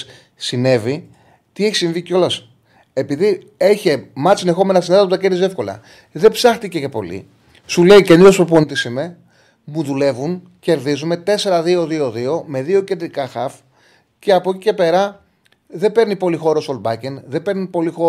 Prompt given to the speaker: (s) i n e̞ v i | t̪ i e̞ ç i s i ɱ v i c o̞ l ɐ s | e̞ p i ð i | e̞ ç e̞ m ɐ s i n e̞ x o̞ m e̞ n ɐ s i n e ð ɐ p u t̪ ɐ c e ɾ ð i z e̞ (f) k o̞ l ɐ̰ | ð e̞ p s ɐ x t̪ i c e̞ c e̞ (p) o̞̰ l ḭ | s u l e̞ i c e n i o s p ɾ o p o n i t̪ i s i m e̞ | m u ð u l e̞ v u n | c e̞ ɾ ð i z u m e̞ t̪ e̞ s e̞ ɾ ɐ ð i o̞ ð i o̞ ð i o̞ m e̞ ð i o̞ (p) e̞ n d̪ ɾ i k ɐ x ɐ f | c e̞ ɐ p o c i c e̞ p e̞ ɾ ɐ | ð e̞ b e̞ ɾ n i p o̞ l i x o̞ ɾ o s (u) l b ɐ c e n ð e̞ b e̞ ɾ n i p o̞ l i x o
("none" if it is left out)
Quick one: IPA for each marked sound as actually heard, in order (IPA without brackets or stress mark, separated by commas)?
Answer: s, f, p, c, o